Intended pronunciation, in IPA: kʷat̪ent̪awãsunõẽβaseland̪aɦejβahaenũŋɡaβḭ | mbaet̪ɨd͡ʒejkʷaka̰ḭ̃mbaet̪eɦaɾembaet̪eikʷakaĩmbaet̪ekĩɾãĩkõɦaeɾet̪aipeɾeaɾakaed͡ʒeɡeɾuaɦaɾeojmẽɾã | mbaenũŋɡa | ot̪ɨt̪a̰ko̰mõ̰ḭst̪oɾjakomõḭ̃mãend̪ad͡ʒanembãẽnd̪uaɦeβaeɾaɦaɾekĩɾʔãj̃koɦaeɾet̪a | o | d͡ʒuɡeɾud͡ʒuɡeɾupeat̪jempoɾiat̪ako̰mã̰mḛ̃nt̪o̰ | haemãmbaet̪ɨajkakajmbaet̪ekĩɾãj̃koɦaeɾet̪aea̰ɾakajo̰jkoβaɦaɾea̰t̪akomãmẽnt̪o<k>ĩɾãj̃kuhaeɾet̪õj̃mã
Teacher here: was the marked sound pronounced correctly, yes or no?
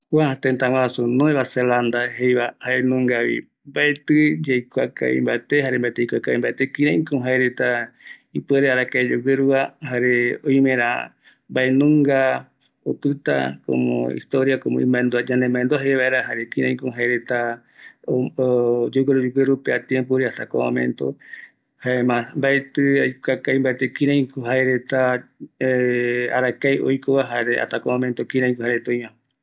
yes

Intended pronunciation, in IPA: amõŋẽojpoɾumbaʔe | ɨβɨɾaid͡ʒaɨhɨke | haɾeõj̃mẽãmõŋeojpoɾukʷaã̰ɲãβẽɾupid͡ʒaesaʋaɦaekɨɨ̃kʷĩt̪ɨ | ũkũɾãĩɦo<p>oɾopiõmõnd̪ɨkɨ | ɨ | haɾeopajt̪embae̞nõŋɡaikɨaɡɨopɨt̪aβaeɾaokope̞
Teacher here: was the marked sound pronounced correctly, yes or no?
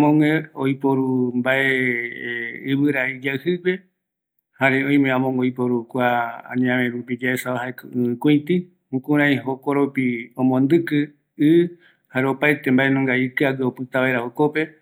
no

